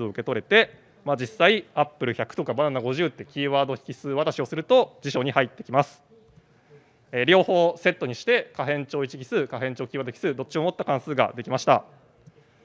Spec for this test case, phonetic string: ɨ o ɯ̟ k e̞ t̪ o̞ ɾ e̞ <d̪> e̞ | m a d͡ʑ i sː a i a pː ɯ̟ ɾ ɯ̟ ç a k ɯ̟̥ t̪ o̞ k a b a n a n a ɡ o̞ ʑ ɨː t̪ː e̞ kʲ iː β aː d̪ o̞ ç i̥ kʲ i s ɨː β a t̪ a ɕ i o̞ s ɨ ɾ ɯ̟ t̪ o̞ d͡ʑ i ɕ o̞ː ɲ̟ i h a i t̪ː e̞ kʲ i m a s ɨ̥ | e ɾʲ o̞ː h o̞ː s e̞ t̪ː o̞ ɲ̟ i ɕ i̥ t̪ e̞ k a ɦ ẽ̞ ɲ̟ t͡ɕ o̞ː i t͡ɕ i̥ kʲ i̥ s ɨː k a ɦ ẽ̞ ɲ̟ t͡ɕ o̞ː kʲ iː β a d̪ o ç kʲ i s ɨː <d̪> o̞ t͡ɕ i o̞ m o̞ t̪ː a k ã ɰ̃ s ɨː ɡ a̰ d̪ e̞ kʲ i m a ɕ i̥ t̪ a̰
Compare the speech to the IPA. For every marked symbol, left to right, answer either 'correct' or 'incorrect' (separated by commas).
incorrect, correct